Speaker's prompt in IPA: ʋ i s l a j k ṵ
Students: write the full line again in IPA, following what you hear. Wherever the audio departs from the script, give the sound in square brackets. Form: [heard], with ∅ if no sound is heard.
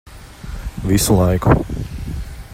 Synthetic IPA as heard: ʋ i s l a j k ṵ